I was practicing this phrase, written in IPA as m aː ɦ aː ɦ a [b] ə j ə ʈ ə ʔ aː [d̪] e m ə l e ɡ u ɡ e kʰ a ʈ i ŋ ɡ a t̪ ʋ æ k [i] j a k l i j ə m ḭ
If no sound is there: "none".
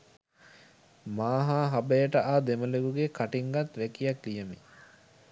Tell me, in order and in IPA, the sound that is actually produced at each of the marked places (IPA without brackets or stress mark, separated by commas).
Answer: b, d̪, i